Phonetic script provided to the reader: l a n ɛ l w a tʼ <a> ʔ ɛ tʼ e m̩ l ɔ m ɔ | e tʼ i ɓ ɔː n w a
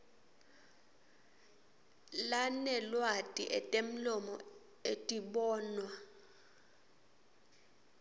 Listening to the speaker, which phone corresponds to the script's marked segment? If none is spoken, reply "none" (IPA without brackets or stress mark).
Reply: i